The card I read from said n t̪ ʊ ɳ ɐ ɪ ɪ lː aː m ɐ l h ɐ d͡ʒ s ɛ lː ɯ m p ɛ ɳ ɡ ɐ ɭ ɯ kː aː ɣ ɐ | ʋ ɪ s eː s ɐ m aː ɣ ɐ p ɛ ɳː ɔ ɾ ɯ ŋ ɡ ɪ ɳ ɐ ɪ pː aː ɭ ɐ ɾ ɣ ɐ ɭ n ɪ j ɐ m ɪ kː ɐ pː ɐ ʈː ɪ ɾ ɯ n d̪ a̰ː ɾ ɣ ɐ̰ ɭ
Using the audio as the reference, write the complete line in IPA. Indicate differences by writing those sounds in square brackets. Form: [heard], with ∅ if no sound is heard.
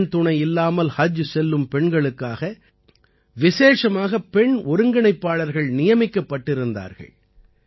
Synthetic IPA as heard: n t̪ ʊ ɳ ɐ ɪ ɪ lː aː m ɐ l h ɐ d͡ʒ s ɛ lː ɯ m p ɛ ɳ ɡ ɐ ɭ ɯ kː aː ɣ ɐ | ʋ ɪ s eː [ʂ] ɐ m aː ɣ ɐ p ɛ [ɳ] ɔ ɾ ɯ ŋ ɡ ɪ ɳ ɐ ɪ pː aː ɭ ɐ ɾ ɣ ɐ ɭ n ɪ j ɐ m ɪ kː ɐ pː ɐ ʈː ɪ ɾ ɯ n d̪ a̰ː ɾ ɣ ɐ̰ ɭ

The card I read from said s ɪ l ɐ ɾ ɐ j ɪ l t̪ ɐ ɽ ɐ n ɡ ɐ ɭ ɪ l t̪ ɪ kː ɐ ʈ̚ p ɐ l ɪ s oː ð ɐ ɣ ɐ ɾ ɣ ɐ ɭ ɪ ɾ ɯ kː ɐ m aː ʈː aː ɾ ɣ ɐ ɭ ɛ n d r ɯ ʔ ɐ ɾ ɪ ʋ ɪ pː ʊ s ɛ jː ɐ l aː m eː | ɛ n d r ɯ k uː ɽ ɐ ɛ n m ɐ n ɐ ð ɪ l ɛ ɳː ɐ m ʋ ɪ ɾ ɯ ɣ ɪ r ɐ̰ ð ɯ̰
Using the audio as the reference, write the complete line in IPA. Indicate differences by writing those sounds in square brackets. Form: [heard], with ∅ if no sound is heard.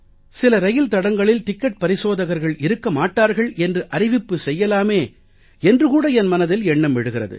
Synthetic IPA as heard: s ɪ l ɐ ɾ ɐ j ɪ l t̪ ɐ ɽ ɐ [ŋ] ɡ ɐ ɭ ɪ l t̪ ɪ kː ɐ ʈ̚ p ɐ [ɾ] ɪ s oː ð ɐ ɣ ɐ ɾ ɣ ɐ ɭ ɪ ɾ ɯ kː ɐ m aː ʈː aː ɾ ɣ ɐ ɭ ɛ n d r ɯ ʔ ɐ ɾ ɪ ʋ ɪ pː [ɯ] s ɛ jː ɐ l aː m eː | ɛ n d r ɯ k uː ɽ ɐ ɛ n m ɐ n ɐ ð ɪ l ɛ ɳː ɐ m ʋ ɪ [ɽ] ɯ ɣ ɪ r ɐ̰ ð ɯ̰

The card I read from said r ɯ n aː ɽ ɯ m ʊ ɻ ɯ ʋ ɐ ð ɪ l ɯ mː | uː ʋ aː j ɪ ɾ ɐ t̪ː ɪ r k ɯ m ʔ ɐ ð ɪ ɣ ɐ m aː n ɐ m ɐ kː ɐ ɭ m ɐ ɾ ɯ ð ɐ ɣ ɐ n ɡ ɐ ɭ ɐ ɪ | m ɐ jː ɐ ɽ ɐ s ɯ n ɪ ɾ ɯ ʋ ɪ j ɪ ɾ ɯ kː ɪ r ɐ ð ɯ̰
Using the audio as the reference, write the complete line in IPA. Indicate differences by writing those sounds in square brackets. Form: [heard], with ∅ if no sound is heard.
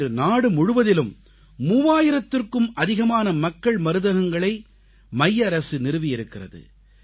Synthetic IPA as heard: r ɯ n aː ɽ ɯ m ʊ ɻ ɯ ʋ ɐ ð ɪ l ɯ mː | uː ʋ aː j ɪ ɾ ɐ t̪ː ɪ r k ɯ m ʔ ɐ ð ɪ ɣ ɐ m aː n ɐ m ɐ kː ɐ ɭ m ɐ ɾ ɯ ð ɐ ɣ ɐ [ŋ] ɡ ɐ ɭ ɐ ɪ | m ɐ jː ɐ [ɾ] ɐ s ɯ n ɪ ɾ ɯ ʋ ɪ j ɪ ɾ ɯ kː ɪ r ɐ ð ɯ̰

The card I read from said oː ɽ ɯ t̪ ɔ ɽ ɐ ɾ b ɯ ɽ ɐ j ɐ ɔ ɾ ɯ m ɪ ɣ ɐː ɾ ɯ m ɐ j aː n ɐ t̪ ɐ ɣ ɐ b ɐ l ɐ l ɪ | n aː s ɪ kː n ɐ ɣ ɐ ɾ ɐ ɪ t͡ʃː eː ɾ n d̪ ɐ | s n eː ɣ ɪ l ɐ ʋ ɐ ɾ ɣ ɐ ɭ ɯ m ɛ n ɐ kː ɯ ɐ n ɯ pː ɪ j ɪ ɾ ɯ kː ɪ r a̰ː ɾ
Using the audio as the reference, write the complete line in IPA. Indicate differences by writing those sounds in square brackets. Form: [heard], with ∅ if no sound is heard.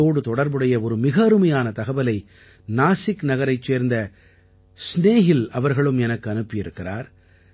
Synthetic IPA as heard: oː ɽ ɯ t̪ ɔ ɽ ɐ ɾ b ɯ ɽ ɐ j ɐ ɔ ɾ ɯ m ɪ ɣ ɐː ɾ ɯ m ɐ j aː n ɐ t̪ ɐ ɣ ɐ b ɐ l ɐ [∅] ɪ | n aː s ɪ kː n ɐ ɣ ɐ ɾ ɐ ɪ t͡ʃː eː ɾ n d̪ ɐ | s n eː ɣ ɪ l ɐ ʋ ɐ ɾ ɣ ɐ ɭ ɯ m ɛ n ɐ kː ɯ ɐ n ɯ pː ɪ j ɪ ɾ ɯ kː ɪ r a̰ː ɾ

